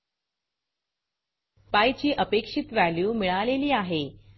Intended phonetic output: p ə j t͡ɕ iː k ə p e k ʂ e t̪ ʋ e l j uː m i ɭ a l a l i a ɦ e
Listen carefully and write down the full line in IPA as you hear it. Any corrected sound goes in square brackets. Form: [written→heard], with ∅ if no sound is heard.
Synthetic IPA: p [ə→a] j t͡ɕ iː [k→ʔ] ə p e k ʂ [e→i] t̪ ʋ [e→æ] l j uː m i ɭ a l [a→e] l [i→iː] a ɦ e